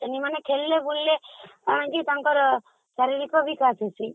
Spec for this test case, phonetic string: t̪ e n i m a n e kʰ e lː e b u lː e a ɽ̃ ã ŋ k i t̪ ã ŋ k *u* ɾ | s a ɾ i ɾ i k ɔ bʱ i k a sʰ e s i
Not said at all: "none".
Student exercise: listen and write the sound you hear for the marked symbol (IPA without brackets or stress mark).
ɔ